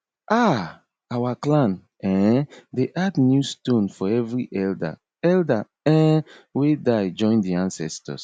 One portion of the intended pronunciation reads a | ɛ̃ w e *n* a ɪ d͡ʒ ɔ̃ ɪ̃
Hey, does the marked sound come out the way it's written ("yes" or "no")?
no